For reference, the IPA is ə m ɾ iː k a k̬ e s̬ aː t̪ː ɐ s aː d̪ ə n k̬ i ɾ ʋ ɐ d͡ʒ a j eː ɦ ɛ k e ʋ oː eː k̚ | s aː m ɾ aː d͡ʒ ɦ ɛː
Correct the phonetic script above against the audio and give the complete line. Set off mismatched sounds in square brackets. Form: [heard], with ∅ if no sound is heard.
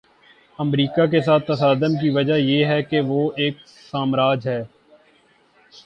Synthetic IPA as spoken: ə m ɾ iː k a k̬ e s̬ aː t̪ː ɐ s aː d̪ ə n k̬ i [∅] ʋ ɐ d͡ʒ a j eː ɦ ɛ k e ʋ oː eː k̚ | s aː m ɾ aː d͡ʒ ɦ ɛː